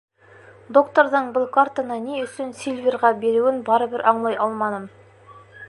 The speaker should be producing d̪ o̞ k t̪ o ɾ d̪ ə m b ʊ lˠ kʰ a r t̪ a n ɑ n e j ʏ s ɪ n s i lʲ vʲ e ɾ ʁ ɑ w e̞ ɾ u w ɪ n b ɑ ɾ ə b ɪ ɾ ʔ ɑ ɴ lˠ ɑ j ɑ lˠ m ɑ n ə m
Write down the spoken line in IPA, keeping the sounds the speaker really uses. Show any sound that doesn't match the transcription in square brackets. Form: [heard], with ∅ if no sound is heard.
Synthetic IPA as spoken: d̪ o̞ k t̪ o ɾ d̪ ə [ɴ] b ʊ lˠ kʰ a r t̪ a n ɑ n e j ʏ s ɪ n s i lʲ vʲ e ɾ ʁ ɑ [b] e̞ ɾ u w ɪ n b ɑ ɾ ə b ɪ ɾ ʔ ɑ ɴ lˠ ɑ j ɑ lˠ m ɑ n ə m